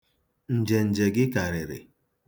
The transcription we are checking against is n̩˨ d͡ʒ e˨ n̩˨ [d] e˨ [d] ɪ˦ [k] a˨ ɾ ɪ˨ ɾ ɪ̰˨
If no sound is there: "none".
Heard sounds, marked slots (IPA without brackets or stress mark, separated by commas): d͡ʒ, ɡ, k